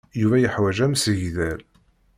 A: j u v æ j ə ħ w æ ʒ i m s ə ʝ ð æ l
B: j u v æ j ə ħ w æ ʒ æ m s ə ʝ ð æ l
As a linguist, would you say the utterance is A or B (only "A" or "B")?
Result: B